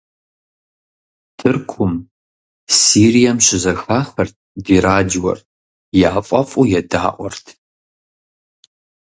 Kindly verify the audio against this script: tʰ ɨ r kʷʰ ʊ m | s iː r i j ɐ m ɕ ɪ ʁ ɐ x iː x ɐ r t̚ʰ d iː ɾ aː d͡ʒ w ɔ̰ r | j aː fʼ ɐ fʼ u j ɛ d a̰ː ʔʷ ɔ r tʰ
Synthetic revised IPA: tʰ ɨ r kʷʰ ʊ m | s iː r i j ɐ m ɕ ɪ z ɐ x aː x ɐ r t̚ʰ d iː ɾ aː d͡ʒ w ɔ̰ r | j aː fʼ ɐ fʼ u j ɛ d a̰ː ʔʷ ɔ r tʰ